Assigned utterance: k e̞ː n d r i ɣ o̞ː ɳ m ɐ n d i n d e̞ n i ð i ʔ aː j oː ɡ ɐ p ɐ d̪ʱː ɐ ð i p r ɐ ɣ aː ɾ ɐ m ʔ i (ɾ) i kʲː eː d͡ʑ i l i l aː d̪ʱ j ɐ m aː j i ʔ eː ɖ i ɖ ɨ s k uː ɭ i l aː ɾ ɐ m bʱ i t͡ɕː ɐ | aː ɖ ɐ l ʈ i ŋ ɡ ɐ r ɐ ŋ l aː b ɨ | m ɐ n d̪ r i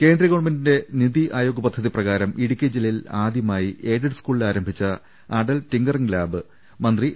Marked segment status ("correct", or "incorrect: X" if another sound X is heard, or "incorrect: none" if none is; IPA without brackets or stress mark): incorrect: ɽ